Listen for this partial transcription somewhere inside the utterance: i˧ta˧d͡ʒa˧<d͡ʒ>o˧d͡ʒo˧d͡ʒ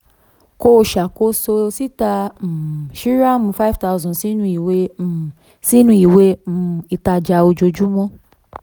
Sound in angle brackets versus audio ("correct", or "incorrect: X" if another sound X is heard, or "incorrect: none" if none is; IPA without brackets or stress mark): incorrect: none